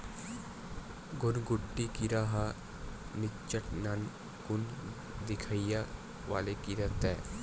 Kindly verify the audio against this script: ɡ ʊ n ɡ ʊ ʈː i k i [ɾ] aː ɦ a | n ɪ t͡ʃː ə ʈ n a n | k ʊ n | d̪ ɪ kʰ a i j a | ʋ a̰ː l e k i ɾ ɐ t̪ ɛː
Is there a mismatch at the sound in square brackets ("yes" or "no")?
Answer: no